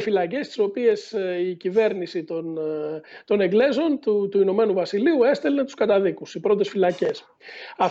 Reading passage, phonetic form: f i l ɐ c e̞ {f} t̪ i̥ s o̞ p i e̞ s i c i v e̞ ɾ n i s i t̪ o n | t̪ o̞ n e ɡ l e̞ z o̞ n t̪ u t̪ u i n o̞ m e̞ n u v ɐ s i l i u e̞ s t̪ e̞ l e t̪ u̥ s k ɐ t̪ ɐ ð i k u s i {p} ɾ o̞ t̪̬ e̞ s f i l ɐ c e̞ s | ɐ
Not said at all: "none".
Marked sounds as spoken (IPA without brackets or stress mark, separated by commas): s, p